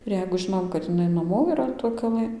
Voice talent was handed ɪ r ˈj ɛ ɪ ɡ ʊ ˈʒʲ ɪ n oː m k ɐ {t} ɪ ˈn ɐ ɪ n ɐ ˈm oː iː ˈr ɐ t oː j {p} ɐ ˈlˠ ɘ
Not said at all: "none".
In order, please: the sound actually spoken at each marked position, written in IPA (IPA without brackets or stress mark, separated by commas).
t, k